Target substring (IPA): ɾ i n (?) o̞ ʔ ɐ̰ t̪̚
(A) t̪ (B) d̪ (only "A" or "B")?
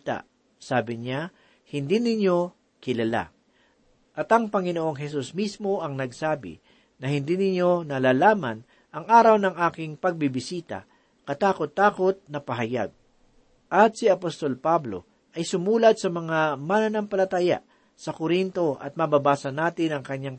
A